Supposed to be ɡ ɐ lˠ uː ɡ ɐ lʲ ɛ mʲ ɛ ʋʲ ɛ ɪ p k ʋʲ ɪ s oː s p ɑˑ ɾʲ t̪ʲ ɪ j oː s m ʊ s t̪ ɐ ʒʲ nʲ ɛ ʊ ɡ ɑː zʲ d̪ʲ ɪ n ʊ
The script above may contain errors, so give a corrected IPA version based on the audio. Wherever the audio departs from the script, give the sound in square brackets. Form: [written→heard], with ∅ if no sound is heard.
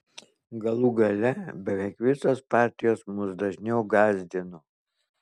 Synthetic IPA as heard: ɡ ɐ lˠ uː ɡ ɐ lʲ ɛ [mʲ→bʲ] ɛ ʋʲ ɛ ɪ [p→∅] k ʋʲ ɪ s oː s p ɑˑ ɾʲ t̪ʲ ɪ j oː s m ʊ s [t̪→d̪] ɐ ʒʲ nʲ ɛ ʊ ɡ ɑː zʲ d̪ʲ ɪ n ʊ